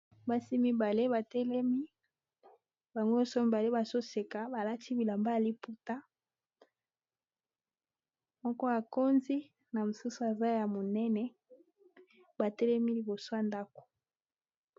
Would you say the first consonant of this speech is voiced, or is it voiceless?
voiced